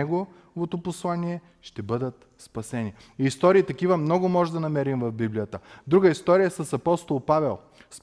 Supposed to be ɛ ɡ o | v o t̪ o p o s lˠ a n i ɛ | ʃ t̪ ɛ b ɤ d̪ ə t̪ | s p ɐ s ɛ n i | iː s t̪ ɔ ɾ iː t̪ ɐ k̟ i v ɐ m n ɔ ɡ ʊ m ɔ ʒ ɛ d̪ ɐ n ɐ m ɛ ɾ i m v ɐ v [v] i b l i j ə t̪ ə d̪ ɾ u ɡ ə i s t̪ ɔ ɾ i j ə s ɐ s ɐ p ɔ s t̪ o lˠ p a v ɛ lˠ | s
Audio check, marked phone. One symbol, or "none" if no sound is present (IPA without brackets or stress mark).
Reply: b